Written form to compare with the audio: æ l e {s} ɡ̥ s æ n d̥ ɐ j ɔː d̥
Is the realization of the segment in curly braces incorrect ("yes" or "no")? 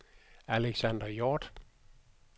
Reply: yes